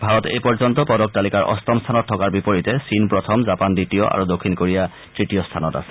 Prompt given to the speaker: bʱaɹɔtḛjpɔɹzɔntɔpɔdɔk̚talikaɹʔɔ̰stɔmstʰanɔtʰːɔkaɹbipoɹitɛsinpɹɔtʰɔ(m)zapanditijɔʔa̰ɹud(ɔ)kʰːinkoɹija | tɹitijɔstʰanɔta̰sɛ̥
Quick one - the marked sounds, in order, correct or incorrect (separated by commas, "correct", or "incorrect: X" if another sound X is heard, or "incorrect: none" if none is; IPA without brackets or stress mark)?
correct, incorrect: o